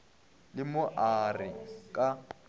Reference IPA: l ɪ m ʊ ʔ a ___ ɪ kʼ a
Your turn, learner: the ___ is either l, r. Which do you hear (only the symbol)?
r